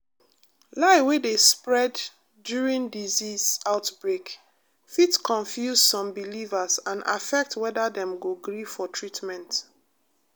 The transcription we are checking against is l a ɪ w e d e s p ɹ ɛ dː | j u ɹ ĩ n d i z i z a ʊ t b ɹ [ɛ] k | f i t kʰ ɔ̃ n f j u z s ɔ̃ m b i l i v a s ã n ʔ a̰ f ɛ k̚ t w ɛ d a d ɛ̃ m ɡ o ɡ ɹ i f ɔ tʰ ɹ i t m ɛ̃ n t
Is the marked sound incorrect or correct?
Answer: incorrect